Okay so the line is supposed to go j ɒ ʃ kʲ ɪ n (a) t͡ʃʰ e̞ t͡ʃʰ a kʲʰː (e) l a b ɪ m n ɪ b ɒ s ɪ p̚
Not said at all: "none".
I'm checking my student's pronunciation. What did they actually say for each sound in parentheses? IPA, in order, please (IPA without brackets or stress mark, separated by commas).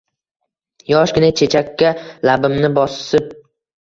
a, a